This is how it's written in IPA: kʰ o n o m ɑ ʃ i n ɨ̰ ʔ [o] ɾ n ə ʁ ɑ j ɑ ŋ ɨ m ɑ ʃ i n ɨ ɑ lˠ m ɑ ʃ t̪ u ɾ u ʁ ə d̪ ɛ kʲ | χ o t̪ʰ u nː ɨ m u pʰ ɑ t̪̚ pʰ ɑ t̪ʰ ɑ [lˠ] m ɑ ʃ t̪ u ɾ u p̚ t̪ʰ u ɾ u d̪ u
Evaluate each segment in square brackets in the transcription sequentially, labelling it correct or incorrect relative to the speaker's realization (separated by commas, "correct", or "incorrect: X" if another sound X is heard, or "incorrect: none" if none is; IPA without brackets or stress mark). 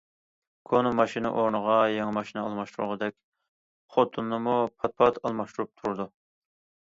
correct, correct